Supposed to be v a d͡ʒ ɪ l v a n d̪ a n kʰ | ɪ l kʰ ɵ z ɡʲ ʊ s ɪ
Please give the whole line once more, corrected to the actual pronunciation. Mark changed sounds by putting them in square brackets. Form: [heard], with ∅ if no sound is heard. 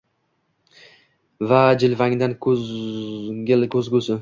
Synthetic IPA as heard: v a d͡ʒ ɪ l v a [ŋ] d̪ a n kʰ | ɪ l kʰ ɵ z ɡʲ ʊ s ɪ